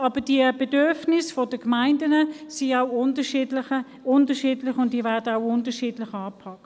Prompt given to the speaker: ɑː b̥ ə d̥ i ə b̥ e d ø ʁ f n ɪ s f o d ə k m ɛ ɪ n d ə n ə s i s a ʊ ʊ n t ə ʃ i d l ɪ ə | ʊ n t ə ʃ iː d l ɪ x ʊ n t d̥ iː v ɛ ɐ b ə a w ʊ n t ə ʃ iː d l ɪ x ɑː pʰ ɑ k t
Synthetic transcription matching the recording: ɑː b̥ ə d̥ i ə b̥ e d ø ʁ f n ɪ s f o d ə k m a ɪ n d ə n ə s i a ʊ ʊ n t ə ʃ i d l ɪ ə | ʊ n t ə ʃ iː d l ɪ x ʊ n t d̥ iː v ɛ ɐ d ə a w ʊ n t ə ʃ iː d l ɪ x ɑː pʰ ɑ k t